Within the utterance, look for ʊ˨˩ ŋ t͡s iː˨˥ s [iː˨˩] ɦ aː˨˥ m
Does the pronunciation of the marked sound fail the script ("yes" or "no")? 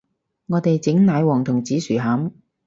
yes